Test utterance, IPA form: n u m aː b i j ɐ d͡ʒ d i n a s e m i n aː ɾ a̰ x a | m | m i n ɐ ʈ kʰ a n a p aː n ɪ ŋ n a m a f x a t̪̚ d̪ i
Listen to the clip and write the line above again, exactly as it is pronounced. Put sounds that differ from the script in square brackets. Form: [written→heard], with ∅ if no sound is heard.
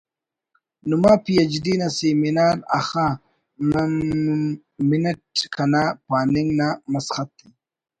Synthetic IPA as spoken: n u m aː [b→p] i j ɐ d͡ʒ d i n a s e m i n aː ɾ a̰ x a | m | m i n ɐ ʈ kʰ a n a p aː n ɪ ŋ n a m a [f→s] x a t̪̚ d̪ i